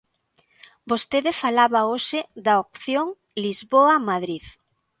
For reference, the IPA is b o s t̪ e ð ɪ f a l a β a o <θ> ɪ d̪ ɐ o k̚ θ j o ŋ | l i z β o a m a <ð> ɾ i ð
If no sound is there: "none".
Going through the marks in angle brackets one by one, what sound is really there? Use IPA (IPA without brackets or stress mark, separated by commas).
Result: ʃ, ð